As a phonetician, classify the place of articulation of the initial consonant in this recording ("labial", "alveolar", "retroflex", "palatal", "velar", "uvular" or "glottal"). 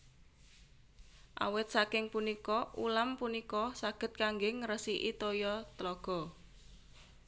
glottal